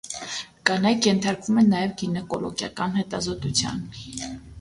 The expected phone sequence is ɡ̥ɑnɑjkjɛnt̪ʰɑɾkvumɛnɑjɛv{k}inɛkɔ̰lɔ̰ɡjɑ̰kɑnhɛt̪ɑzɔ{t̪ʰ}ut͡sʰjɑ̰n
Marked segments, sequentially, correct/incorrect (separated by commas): incorrect, incorrect